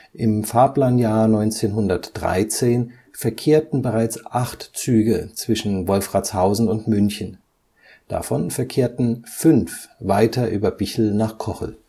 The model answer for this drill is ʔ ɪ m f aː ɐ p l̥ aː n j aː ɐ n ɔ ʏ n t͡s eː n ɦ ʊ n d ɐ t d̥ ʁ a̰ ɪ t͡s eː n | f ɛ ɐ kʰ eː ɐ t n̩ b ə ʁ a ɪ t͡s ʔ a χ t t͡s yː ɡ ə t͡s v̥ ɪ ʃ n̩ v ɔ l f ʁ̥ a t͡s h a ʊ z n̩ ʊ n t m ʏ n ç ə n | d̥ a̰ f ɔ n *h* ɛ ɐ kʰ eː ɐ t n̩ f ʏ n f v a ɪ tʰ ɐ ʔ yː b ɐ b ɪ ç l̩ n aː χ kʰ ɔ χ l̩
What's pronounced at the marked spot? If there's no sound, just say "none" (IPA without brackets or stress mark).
f